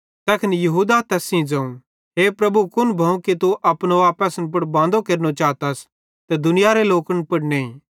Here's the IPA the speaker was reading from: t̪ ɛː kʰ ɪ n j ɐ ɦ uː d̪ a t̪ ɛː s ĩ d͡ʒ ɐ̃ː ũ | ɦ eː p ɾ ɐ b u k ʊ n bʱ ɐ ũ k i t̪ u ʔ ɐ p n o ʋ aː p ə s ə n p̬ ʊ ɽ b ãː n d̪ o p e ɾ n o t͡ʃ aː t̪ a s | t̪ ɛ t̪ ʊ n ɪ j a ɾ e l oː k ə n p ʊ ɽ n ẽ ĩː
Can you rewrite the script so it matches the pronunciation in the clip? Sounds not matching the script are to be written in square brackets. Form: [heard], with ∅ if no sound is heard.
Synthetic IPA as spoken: t̪ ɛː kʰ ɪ n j ɐ ɦ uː d̪ a t̪ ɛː s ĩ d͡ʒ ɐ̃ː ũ | ɦ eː p ɾ ɐ b u k ʊ n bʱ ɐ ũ k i t̪ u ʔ ɐ p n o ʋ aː p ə s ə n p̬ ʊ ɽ b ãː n d̪ o [k] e ɾ n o t͡ʃ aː t̪ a s | t̪ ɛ [d̪] ʊ n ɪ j a ɾ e l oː k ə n p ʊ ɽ n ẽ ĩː